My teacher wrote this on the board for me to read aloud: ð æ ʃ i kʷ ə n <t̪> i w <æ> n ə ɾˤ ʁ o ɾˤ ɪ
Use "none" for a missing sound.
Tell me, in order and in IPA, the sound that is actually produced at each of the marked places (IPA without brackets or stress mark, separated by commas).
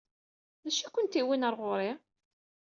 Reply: t̪, i